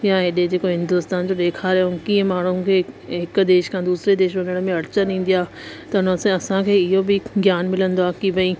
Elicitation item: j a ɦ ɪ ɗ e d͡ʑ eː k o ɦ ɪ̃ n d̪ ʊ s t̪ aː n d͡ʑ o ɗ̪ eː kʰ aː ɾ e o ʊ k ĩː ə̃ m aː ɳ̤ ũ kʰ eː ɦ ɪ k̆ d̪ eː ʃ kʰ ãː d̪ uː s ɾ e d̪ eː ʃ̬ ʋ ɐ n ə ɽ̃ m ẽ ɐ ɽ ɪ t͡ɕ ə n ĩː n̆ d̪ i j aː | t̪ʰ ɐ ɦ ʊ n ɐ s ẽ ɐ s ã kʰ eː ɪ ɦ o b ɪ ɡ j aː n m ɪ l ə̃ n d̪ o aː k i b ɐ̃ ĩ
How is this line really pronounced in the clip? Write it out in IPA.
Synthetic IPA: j a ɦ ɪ ɗ e d͡ʑ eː k o ɦ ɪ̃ n d̪ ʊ s t̪ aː n d͡ʑ o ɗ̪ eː kʰ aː ɾ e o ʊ k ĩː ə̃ m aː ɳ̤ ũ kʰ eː ɦ ɪ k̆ d̪ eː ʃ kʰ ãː d̪ uː s ɾ e d̪ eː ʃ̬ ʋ ɐ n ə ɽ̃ m ẽ ɐ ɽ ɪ t͡ɕ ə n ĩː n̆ d̪ i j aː | t̪ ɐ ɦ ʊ n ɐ s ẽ ɐ s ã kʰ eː ɪ ɦ o b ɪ ɡ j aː n m ɪ l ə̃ n d̪ o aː k i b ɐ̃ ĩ